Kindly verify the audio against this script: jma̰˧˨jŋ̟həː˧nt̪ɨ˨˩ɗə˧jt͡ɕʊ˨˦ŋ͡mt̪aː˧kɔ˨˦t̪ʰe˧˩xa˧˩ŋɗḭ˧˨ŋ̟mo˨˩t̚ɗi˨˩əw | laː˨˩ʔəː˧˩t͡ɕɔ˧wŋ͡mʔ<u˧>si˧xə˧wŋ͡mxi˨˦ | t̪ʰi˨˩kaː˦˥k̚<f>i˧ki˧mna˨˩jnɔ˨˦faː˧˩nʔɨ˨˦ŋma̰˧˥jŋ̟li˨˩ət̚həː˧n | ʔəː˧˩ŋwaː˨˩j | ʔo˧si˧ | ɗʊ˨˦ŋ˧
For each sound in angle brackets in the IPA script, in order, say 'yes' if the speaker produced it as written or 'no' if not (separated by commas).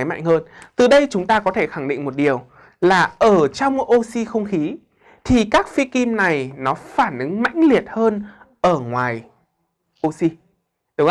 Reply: no, yes